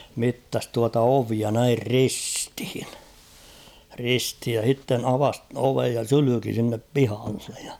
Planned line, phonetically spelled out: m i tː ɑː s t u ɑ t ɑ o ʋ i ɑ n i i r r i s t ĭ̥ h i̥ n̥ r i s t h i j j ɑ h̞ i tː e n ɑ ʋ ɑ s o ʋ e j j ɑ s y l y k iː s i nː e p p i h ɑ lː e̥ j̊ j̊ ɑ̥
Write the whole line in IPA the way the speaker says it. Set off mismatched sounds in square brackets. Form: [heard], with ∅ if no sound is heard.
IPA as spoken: m i tː [ɑ] s t u ɑ t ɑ o ʋ i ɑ n [æ] i r r i s t ĭ̥ h i̥ n̥ r i s t h i j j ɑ h̞ i tː e n ɑ ʋ ɑ s o ʋ e j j ɑ s y l y k [i] s i nː e p p i h ɑ lː e̥ j̊ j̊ ɑ̥